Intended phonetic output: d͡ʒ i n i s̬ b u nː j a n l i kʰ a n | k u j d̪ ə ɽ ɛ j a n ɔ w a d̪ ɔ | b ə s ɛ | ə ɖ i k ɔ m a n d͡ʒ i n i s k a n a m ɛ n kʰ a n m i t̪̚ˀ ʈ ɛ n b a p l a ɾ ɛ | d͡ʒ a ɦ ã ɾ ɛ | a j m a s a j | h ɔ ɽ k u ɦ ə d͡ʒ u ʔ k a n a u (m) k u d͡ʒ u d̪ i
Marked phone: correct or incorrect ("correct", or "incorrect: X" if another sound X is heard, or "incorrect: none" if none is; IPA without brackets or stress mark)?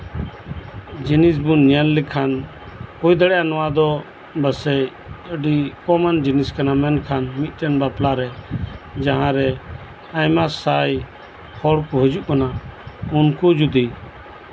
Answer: incorrect: n